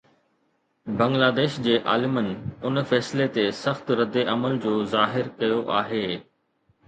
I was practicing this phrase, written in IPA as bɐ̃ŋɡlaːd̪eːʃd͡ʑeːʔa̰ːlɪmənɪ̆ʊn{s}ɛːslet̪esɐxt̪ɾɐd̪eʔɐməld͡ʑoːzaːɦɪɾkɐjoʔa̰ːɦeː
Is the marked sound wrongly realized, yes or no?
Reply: yes